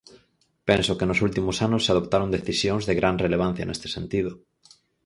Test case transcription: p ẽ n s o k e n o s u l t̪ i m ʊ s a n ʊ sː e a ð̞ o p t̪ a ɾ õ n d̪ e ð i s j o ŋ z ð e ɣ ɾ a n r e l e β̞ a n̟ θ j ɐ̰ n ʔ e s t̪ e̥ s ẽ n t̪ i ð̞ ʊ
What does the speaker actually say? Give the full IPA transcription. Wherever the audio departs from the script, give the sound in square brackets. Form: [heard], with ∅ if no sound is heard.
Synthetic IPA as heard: p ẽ n s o k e n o s u l t̪ i m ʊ s a n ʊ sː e a ð̞ o p t̪ a ɾ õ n d̪ e [θ] i s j o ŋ z ð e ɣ ɾ a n r e l e β̞ a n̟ θ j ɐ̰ n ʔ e s t̪ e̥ s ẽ n t̪ i ð̞ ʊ